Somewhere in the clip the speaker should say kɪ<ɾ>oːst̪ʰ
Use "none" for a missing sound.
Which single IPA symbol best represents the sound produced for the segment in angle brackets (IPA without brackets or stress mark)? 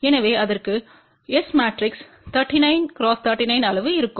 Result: ɾ